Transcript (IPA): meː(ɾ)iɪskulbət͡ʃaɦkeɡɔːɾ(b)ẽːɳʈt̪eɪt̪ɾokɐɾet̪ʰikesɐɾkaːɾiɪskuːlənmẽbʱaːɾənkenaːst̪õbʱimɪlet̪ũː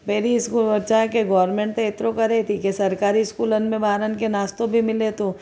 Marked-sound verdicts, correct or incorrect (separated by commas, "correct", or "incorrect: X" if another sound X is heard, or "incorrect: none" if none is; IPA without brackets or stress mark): correct, incorrect: m